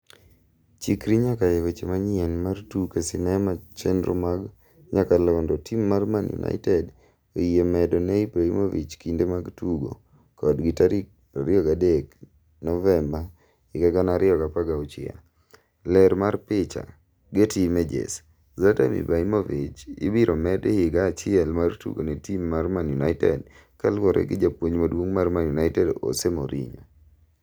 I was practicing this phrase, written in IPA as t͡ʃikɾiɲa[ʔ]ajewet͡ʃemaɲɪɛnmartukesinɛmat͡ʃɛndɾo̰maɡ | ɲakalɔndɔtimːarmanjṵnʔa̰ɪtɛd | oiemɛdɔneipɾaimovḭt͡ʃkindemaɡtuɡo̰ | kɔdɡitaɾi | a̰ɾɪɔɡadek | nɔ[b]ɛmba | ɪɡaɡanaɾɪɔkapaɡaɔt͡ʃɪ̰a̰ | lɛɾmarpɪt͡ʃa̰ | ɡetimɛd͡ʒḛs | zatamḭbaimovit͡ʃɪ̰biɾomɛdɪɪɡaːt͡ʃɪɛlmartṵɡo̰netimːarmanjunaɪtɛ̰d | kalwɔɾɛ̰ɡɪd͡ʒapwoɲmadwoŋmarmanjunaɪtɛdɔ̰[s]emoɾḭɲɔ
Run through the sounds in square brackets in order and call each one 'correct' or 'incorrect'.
incorrect: k, incorrect: v, correct

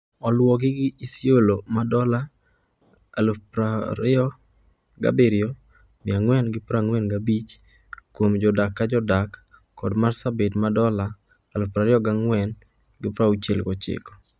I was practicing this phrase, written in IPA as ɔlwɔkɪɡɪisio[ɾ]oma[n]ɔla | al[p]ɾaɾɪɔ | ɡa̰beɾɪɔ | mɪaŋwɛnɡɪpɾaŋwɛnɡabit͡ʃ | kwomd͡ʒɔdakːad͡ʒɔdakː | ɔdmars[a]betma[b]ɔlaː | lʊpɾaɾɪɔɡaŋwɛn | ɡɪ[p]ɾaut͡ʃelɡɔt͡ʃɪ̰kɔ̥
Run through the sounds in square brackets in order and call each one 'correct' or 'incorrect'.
incorrect: l, incorrect: d, correct, correct, incorrect: d, correct

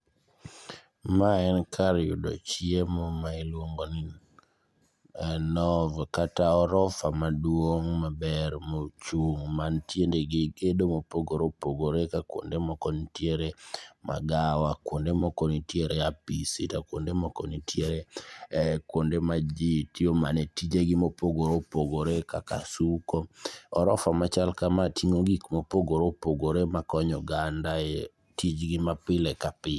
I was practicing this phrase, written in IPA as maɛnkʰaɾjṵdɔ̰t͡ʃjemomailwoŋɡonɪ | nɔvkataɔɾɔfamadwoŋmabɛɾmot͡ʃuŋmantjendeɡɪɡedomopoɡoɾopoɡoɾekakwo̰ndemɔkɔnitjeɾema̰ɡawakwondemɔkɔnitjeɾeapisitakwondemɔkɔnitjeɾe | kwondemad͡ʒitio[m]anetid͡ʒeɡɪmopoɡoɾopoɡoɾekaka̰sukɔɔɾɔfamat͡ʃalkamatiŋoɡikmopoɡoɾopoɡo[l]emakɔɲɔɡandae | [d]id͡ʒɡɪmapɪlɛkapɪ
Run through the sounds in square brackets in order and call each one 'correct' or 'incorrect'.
correct, incorrect: ɾ, incorrect: t

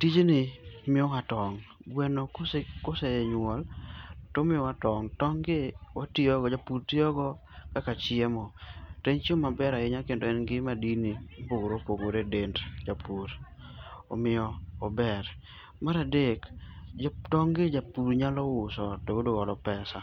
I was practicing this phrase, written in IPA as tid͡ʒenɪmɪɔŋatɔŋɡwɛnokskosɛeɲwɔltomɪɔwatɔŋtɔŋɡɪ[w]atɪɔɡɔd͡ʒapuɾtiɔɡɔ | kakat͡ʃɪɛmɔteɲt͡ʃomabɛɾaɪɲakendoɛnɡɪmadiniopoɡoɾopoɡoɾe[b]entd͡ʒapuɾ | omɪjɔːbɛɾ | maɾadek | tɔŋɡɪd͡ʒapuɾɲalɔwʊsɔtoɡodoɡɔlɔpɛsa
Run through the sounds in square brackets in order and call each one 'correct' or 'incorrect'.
correct, incorrect: d

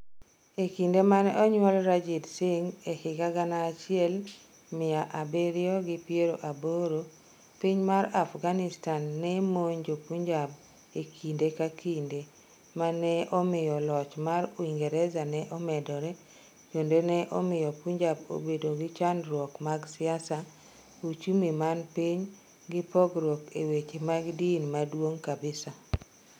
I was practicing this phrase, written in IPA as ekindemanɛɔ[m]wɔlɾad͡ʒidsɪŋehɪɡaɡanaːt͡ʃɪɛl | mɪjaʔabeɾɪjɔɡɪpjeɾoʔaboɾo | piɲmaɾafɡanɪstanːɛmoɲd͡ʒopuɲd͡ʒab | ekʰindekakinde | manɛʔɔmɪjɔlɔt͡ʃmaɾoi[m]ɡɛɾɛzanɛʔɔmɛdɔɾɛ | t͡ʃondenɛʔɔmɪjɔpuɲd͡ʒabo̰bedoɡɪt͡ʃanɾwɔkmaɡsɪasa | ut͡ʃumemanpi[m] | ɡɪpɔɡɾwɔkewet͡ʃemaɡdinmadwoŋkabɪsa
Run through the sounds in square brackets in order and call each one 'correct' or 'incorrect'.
incorrect: ɲ, incorrect: ŋ, incorrect: ɲ

